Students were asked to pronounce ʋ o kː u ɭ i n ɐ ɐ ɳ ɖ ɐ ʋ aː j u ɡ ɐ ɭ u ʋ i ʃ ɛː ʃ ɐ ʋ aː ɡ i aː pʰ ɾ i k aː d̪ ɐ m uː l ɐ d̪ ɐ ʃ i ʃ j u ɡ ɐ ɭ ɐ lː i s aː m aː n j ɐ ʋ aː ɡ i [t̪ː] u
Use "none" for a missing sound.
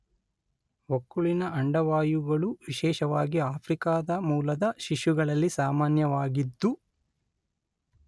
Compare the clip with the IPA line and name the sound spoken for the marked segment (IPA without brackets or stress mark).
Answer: d̪ː